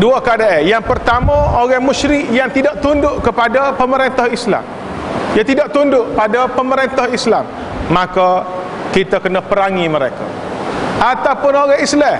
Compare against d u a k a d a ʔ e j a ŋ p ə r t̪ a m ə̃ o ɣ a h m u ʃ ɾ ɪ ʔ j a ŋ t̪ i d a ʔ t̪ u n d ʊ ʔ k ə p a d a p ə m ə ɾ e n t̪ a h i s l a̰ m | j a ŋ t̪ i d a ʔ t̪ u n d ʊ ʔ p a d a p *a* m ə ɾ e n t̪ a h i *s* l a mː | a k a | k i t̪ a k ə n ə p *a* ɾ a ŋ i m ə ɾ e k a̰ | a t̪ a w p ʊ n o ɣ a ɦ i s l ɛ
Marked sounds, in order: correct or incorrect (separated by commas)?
incorrect, correct, incorrect